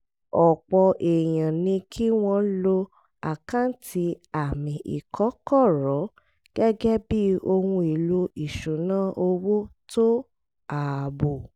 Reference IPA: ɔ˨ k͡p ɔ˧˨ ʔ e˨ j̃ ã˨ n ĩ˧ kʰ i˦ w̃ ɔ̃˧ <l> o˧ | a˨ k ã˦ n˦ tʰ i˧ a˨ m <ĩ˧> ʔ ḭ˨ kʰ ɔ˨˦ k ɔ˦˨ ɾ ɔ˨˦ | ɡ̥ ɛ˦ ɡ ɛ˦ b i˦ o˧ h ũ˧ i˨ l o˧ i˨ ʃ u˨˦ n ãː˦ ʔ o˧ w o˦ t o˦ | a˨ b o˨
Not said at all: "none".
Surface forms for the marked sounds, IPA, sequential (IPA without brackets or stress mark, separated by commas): l, ĩ˧